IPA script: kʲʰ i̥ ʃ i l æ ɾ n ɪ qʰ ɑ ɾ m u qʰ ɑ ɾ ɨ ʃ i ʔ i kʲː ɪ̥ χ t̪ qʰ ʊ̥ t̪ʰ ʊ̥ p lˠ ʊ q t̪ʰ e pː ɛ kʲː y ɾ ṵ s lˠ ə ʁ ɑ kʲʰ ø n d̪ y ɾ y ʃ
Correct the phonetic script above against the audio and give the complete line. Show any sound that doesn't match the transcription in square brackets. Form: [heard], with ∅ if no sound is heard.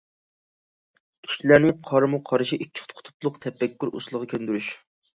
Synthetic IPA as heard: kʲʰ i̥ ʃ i l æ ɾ n ɪ qʰ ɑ ɾ m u qʰ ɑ ɾ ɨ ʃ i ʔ i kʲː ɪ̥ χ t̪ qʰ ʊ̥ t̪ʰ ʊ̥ p lˠ ʊ q t̪ʰ [ɛ] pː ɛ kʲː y ɾ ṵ s lˠ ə ʁ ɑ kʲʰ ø n d̪ y ɾ y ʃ